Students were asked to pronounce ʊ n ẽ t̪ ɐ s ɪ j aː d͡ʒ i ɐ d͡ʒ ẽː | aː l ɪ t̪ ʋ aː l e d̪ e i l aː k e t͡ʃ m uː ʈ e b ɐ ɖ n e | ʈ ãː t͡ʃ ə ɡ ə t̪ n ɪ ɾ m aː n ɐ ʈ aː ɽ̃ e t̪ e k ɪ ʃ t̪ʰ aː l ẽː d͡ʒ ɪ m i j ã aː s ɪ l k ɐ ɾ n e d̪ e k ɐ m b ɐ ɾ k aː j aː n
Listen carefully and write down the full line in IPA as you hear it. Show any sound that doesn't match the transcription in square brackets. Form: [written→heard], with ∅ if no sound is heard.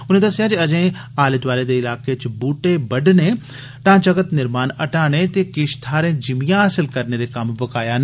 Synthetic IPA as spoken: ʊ n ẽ [t̪→d̪] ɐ s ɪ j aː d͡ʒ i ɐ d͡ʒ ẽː | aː l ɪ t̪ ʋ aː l e d̪ e [i→ɪ] l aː k e t͡ʃ [m→b] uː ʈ e b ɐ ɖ n e | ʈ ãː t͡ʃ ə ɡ ə t̪ n ɪ ɾ m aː n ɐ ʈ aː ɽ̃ e t̪ e k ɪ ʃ t̪ʰ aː [l→ɾ] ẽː d͡ʒ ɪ m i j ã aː s ɪ l k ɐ ɾ n e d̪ e k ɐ m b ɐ [ɾ→∅] k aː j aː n

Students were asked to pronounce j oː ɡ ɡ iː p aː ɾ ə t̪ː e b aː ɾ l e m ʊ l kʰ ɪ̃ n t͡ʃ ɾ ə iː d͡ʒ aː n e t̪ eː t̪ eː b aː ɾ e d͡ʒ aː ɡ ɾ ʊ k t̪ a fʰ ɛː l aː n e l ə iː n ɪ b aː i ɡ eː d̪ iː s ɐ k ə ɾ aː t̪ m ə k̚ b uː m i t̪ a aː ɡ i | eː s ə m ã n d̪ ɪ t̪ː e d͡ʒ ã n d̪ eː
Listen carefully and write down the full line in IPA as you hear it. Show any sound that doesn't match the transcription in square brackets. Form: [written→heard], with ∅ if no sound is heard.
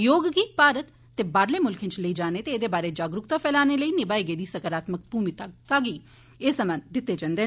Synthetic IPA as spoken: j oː ɡ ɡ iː p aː ɾ ə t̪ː e b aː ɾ l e m ʊ l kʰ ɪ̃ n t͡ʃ [ɾ→l] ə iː d͡ʒ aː n e t̪ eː [t̪→d̪] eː b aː ɾ e d͡ʒ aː ɡ ɾ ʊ k t̪ a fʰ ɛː l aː n e l ə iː n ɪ b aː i ɡ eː d̪ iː s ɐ k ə ɾ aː t̪ m ə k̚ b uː m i t̪ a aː ɡ i | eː s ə m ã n d̪ ɪ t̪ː e d͡ʒ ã n d̪ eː

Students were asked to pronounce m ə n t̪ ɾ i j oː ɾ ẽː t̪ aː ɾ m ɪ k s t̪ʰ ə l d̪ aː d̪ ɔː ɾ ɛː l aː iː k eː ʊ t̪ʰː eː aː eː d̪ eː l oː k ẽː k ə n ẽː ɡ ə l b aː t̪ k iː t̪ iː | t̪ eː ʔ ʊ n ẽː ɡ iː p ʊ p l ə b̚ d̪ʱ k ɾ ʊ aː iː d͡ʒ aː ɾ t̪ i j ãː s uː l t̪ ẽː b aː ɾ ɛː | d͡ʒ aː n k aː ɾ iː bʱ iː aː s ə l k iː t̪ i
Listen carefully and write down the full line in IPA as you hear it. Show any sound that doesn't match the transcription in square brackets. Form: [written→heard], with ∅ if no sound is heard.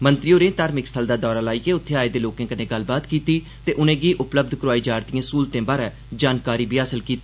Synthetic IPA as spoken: m ə n t̪ ɾ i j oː ɾ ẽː t̪ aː ɾ m ɪ k s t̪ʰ ə l d̪ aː d̪ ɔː ɾ [ɛː→aː] l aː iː k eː ʊ t̪ʰː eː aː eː d̪ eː l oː k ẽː k ə n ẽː ɡ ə l b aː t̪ k iː t̪ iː | t̪ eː ʔ ʊ n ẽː ɡ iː [p→ʔ] ʊ p l ə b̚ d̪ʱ k ɾ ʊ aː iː d͡ʒ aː ɾ t̪ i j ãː s uː l t̪ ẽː b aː ɾ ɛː | d͡ʒ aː n k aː ɾ iː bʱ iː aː s ə l k iː t̪ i

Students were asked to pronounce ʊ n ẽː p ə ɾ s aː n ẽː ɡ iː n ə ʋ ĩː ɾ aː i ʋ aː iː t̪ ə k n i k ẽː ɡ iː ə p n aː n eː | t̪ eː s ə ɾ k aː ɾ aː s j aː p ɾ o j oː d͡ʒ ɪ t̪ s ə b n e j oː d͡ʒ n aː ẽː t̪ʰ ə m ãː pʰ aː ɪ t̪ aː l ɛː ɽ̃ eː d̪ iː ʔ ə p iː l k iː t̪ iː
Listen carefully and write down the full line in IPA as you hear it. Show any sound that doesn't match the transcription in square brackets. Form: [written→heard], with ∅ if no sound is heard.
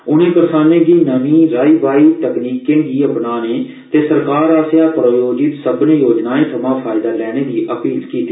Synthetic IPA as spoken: ʊ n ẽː p ə ɾ s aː n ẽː ɡ iː n ə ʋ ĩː ɾ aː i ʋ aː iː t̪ ə k n [i→iː] k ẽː ɡ iː ə p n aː n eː | t̪ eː s ə ɾ k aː ɾ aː s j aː p ɾ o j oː d͡ʒ ɪ t̪ s ə b n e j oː d͡ʒ n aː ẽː t̪ʰ ə m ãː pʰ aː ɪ [t̪→d̪] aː l ɛː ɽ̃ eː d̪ iː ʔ ə p iː l k iː t̪ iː

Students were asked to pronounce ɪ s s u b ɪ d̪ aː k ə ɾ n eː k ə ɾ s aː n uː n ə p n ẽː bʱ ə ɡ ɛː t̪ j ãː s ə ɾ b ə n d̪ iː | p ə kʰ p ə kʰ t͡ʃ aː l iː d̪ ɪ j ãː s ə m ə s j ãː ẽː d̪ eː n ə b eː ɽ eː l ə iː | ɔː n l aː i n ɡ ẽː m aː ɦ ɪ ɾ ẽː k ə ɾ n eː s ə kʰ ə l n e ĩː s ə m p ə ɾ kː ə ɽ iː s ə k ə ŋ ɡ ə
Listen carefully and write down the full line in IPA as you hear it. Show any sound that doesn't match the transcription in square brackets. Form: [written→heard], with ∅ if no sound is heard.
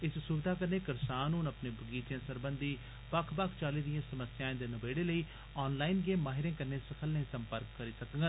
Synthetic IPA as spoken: ɪ s s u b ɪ d̪ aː k ə ɾ n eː k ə ɾ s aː n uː n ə p n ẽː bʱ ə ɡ [ɛː→iː] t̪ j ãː s ə ɾ b ə n d̪ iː | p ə kʰ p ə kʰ t͡ʃ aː l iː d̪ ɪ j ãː s ə m ə s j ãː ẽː d̪ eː n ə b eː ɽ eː l ə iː | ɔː n l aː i n ɡ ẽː m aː ɦ ɪ ɾ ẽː k ə ɾ n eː s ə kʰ ə l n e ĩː s ə m p ə ɾ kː ə [ɽ→ɾ] iː s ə k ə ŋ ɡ ə

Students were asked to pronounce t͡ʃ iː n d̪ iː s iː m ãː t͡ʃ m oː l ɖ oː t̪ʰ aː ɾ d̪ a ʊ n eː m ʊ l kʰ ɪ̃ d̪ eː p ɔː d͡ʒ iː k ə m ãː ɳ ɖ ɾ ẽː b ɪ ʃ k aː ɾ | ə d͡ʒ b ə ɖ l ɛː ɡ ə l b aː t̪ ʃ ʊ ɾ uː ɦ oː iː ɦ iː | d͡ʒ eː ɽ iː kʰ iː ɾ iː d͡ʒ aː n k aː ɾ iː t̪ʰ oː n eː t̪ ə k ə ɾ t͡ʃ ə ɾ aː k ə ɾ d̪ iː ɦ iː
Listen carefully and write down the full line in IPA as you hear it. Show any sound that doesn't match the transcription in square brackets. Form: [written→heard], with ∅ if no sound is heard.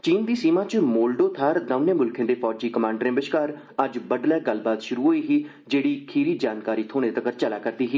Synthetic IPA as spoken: t͡ʃ iː n d̪ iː s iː m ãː t͡ʃ m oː l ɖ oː t̪ʰ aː ɾ d̪ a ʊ n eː m ʊ l kʰ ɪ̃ d̪ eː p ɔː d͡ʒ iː k ə m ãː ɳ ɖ ɾ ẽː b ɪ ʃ k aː ɾ | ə d͡ʒ b ə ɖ l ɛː ɡ ə l b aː t̪ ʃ ʊ ɾ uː ɦ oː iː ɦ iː | d͡ʒ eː ɽ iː kʰ iː ɾ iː d͡ʒ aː n k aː ɾ iː t̪ʰ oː n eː t̪ ə k ə ɾ t͡ʃ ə [ɾ→l] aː k ə ɾ d̪ iː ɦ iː

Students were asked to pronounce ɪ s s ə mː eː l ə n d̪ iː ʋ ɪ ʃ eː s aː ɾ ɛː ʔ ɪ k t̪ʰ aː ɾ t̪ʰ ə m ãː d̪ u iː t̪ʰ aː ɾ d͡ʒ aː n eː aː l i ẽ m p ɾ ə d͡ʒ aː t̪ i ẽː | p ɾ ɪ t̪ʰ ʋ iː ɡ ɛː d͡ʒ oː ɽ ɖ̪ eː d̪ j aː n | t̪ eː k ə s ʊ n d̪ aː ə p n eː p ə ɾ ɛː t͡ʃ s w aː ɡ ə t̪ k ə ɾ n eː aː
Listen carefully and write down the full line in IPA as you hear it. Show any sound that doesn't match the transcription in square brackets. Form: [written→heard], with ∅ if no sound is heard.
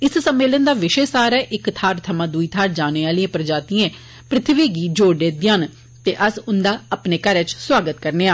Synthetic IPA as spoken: ɪ s s ə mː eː l ə n d̪ [iː→aː] ʋ ɪ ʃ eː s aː ɾ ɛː ʔ ɪ k t̪ʰ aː ɾ t̪ʰ ə m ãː d̪ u iː t̪ʰ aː ɾ d͡ʒ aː n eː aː l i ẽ [m→∅] p ɾ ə d͡ʒ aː t̪ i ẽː | p ɾ ɪ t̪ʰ ʋ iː ɡ [ɛː→iː] d͡ʒ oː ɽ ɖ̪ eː d̪ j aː n | t̪ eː [k→ʔ] ə s ʊ n d̪ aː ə p n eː [p→k] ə ɾ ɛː t͡ʃ s w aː ɡ ə t̪ k ə ɾ n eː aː

